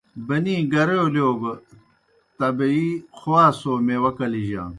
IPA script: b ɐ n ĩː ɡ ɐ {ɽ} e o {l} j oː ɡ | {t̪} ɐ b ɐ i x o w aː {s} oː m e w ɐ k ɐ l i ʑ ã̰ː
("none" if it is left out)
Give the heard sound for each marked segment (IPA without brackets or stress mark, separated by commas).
ɾ, l, t̪, s